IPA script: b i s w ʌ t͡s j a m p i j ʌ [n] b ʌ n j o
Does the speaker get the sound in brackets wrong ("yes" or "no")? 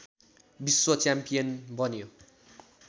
no